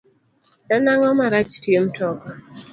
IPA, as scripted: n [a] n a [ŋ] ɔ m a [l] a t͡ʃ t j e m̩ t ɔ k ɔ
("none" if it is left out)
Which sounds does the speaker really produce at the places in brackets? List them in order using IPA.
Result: a, ŋ, ɾ

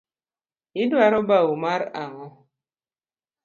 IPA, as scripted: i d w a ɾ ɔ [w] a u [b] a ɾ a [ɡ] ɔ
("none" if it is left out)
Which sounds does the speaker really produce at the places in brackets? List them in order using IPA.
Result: b, m, ŋ

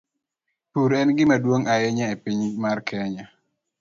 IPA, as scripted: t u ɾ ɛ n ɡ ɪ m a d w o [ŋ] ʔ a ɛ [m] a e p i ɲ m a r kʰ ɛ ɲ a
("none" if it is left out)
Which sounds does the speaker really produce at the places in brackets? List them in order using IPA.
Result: ŋ, ɲ

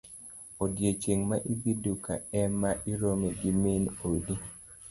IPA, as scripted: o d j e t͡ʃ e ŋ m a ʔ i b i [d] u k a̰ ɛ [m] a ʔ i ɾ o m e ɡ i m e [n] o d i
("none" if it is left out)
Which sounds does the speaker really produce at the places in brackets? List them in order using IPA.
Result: d, m, n

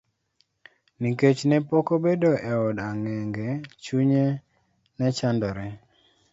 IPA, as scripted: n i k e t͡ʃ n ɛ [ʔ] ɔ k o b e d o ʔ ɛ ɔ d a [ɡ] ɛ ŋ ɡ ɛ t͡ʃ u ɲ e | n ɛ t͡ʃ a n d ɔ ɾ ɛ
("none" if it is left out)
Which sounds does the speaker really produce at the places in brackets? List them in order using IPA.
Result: p, ŋ

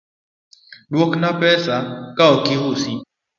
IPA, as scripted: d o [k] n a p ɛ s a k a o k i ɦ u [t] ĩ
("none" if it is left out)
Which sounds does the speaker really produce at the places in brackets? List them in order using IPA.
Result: k, s

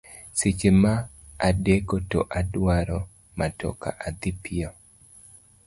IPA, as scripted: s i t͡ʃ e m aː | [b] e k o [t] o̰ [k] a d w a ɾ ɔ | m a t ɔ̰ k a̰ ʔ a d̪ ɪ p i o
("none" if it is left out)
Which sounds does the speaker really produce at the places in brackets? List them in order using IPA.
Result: d, t, ʔ

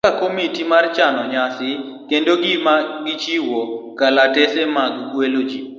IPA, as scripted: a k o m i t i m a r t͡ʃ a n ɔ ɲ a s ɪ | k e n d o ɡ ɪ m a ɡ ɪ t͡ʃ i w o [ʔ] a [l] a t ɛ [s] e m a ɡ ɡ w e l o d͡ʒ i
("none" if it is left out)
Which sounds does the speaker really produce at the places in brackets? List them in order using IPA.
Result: k, l, s

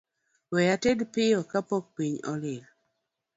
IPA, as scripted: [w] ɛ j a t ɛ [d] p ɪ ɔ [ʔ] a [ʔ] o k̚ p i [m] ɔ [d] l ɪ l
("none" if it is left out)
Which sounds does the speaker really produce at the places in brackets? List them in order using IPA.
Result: w, d, k, p, ɲ, none

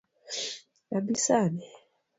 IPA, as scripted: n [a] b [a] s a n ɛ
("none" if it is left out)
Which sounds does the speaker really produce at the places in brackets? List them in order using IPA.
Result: a, i

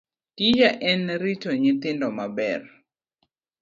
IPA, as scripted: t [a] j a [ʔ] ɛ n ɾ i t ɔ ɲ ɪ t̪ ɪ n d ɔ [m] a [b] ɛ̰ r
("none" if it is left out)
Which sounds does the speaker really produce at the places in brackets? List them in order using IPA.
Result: i, ʔ, m, b

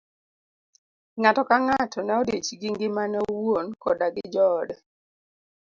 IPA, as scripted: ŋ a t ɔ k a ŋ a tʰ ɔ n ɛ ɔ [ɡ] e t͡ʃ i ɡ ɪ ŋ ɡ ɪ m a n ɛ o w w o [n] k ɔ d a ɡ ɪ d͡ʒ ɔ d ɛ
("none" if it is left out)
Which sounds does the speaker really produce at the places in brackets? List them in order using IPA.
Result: d, n

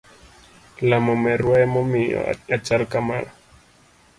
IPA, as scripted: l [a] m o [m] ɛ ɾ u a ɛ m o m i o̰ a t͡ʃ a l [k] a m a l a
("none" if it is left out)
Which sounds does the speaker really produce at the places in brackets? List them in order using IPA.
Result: a, m, k

